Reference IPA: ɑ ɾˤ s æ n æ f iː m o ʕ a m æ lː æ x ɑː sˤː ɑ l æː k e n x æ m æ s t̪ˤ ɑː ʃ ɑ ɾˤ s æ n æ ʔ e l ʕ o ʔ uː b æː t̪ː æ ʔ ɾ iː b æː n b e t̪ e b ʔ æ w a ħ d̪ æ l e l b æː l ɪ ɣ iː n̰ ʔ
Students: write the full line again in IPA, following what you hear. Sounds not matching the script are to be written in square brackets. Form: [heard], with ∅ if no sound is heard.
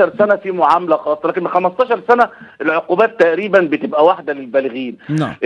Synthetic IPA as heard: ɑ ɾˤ s æ n æ f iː m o ʕ a m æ [l] æ x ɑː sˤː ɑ l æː k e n x æ m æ s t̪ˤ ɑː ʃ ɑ ɾˤ s æ n æ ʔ e l ʕ o [q] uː b æː t̪ː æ ʔ ɾ iː b [æ] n b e t̪ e b ʔ æ w a ħ d̪ æ l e l b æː l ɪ ɣ iː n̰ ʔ